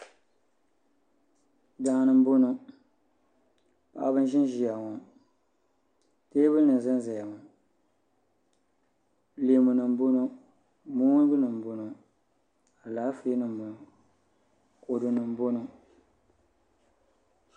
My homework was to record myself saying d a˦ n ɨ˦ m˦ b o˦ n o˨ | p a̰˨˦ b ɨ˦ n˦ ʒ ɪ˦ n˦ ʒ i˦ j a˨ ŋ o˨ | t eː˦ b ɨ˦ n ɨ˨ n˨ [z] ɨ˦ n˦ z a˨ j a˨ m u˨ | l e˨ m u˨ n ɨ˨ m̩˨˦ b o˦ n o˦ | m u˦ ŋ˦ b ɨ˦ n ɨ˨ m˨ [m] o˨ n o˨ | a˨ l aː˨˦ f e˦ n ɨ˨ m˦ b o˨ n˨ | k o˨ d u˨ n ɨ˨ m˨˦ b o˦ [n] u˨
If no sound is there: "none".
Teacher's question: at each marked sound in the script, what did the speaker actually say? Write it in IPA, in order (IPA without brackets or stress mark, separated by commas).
z, b, n